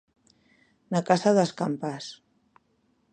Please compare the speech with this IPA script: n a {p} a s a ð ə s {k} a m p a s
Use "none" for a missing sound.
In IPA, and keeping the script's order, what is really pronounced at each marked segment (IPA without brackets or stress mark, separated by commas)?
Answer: k, k